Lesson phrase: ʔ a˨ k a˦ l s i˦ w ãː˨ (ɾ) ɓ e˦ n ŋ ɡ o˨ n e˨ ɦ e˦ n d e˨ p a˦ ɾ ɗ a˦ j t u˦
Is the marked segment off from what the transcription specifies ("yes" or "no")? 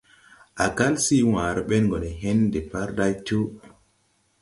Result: no